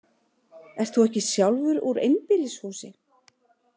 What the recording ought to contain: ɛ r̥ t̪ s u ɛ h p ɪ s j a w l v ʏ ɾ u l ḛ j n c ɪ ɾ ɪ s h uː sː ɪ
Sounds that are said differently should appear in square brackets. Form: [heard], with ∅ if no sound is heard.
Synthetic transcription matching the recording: ɛ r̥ t̪ [θ] u ɛ h [c] ɪ s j a w l v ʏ ɾ u [ɾ] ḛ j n [p] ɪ [l] ɪ s h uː [s] ɪ